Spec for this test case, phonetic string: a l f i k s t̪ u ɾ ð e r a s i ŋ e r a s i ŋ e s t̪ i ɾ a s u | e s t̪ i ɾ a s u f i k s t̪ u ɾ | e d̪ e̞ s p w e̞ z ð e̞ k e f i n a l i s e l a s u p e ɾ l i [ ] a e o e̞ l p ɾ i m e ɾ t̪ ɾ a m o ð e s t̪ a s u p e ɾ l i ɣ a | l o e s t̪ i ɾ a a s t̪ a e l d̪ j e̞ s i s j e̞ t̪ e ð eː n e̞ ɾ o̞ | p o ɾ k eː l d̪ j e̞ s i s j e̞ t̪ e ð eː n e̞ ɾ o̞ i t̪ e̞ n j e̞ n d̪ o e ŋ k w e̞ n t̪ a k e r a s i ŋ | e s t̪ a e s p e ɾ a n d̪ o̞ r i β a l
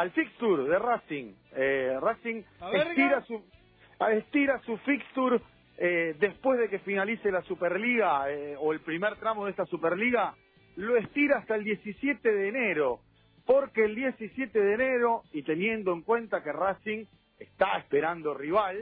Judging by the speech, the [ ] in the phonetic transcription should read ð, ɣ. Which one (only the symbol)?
ɣ